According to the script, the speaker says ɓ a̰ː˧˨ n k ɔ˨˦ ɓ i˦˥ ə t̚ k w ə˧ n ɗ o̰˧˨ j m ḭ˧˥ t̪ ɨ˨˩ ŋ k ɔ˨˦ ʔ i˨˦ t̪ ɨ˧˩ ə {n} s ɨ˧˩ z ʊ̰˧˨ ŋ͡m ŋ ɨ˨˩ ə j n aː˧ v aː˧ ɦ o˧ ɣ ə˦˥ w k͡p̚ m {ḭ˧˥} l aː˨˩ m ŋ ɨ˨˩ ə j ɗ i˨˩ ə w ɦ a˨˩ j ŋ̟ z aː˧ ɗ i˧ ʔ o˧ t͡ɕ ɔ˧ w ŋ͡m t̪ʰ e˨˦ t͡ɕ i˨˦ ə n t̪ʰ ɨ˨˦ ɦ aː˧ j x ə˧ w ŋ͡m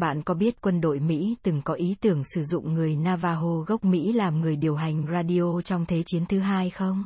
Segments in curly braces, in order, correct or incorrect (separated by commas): incorrect, correct